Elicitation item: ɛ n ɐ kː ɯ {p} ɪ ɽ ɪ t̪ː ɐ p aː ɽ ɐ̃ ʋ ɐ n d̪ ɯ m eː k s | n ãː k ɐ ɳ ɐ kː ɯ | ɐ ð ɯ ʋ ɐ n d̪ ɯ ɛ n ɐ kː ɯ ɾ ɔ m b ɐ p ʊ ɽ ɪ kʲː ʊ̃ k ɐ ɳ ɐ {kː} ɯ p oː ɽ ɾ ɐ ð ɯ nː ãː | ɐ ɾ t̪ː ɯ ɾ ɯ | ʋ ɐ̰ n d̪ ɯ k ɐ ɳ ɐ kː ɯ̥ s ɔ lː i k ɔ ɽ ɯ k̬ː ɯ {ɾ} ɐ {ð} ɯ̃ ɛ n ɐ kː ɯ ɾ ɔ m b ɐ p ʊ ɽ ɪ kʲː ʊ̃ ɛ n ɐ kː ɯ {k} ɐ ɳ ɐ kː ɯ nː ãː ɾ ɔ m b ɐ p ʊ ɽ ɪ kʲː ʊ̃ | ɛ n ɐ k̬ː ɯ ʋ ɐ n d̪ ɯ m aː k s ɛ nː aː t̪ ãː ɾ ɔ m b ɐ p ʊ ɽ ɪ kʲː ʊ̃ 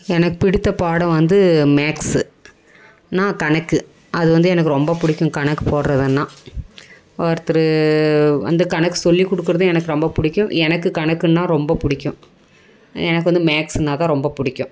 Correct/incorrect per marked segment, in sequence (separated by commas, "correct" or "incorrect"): correct, correct, correct, correct, correct